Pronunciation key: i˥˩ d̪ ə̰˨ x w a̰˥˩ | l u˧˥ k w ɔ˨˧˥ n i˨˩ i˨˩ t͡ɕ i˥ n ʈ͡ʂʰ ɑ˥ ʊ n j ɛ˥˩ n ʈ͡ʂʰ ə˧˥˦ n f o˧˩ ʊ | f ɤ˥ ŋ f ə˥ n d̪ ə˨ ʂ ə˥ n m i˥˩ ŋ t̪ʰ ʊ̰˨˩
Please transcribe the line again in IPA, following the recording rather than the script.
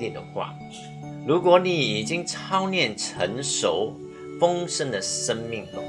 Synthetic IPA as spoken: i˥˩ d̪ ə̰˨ x w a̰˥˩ | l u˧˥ k w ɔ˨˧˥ n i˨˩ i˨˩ t͡ɕ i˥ ŋ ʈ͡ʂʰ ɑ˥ ʊ n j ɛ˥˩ n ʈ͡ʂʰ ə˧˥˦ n ʂ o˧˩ ʊ | f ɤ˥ ŋ ʂ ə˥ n d̪ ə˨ ʂ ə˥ n m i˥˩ ŋ t̪ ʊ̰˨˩

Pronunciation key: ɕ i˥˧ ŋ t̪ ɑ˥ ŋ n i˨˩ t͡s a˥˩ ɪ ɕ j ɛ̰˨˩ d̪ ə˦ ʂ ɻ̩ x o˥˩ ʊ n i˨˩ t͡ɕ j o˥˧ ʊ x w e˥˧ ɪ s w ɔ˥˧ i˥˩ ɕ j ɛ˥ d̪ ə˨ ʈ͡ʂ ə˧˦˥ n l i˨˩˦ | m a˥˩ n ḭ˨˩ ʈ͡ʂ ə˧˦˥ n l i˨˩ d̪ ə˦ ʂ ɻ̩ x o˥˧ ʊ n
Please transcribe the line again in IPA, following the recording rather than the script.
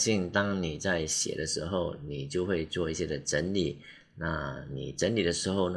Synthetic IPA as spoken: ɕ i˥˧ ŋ t̪ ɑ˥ ŋ n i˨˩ t͡s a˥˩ ɪ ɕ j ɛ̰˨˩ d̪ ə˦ ʂ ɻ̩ x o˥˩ ʊ n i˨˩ t͡ɕ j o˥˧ ʊ x w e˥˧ ɪ t͡s w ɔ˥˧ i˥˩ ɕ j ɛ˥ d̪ ə˨ ʈ͡ʂ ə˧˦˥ n l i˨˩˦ | n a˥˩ n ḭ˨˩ ʈ͡ʂ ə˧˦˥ n l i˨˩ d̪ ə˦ ʂ ɻ̩ x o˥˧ ʊ n

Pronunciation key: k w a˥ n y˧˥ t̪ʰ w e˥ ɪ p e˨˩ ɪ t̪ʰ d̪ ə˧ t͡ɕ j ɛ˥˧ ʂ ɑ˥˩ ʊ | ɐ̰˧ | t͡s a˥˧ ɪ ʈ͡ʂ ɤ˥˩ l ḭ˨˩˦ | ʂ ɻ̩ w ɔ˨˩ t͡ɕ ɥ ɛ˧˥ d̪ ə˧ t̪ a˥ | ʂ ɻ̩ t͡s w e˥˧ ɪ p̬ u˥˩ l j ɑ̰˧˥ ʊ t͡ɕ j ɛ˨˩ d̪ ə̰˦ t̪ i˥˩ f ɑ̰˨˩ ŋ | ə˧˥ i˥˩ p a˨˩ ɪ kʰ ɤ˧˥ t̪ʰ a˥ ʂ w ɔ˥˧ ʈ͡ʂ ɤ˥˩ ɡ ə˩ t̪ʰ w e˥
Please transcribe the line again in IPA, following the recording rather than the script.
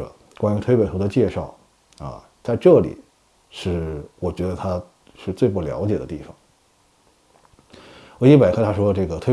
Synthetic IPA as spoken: k w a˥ n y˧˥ t̪ʰ w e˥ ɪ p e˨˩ ɪ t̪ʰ d̪ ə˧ t͡ɕ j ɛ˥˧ ʂ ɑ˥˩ ʊ | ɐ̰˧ | t͡s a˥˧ ɪ ʈ͡ʂ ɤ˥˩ l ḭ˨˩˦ | ʂ ɻ̩ w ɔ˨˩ t͡ɕ ɥ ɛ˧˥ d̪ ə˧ t̪ʰ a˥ | ʂ ɻ̩ t͡s w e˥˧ ɪ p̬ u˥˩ l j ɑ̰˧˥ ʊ t͡ɕ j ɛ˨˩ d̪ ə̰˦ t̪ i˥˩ f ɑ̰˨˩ ŋ | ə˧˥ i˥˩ p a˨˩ ɪ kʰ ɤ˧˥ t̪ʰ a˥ ʂ w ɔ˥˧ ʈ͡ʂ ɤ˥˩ ɡ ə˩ t̪ʰ w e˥

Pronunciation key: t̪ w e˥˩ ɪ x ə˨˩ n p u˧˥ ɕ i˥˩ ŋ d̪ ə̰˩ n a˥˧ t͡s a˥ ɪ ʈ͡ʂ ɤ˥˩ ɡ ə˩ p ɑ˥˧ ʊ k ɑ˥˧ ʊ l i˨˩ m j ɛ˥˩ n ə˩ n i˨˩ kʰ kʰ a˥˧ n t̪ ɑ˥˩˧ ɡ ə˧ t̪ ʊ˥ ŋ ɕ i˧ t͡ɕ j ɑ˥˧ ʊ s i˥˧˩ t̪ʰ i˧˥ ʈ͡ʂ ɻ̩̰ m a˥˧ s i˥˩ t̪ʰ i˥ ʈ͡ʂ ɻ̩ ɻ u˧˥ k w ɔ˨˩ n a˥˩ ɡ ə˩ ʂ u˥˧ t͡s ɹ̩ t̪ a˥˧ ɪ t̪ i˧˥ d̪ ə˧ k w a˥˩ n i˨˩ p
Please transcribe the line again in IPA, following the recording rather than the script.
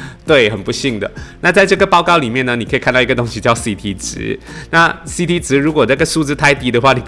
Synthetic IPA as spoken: t̪ w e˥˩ ɪ x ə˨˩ n p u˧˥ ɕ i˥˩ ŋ d̪ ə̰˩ n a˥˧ t͡s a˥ ɪ ʈ͡ʂ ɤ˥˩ ɡ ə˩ p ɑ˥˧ ʊ k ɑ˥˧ ʊ l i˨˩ m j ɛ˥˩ n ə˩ n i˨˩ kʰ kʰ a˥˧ n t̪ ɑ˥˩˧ ɡ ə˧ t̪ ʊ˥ ŋ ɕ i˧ t͡ɕ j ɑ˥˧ ʊ s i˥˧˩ t̪ʰ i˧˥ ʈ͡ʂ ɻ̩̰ n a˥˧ s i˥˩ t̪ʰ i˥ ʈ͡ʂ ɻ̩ ɻ u˧˥ k w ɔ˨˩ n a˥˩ ɡ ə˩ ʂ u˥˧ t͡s ɹ̩ t̪ʰ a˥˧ ɪ t̪ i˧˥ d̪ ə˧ x w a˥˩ n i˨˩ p

